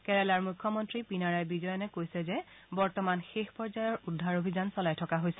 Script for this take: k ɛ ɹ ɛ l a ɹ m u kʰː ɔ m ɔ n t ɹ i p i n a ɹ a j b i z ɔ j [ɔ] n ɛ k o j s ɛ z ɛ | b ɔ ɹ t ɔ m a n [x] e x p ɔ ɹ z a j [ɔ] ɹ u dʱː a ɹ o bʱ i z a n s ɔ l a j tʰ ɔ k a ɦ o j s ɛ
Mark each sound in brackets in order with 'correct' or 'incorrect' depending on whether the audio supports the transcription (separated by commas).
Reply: correct, correct, correct